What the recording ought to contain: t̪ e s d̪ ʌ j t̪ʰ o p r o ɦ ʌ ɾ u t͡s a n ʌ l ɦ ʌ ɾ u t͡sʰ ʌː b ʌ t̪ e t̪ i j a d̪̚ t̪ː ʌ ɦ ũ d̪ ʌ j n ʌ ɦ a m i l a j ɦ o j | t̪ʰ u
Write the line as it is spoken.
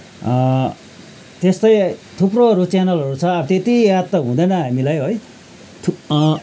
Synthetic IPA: t̪ e s t̪ ʌ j t̪ʰ u p r o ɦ ʌ ɾ u t͡s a n ʌ l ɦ ʌ ɾ u t͡sʰ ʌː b ʌ t̪ e t̪ i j a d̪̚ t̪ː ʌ ɦ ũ d̪ ʌ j n ʌ ɦ a m i l a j ɦ o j | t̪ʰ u